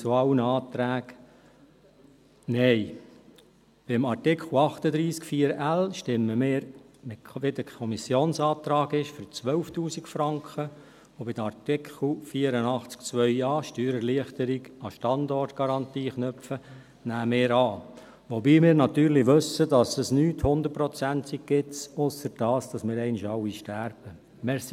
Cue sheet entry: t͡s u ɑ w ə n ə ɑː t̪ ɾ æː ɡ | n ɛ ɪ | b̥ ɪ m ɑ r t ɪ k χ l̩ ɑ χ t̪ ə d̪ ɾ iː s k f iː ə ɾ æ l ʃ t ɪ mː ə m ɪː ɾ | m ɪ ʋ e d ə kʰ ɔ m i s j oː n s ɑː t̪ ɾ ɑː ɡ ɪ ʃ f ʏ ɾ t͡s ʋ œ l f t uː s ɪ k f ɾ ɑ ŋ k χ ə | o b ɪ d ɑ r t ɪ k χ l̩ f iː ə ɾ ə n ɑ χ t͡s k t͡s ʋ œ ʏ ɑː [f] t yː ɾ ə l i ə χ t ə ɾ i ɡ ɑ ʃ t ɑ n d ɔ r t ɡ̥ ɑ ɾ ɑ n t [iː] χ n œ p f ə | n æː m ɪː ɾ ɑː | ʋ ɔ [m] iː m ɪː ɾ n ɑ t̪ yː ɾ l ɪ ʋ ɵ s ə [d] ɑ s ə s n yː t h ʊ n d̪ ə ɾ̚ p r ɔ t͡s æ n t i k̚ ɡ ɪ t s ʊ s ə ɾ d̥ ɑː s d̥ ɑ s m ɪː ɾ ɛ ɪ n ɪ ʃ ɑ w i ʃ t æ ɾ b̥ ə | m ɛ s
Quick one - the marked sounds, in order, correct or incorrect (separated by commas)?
incorrect, correct, incorrect, correct